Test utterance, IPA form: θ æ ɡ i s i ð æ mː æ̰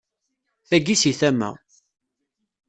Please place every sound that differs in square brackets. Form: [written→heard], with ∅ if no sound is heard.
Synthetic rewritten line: θ æ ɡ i s i [ð→θ] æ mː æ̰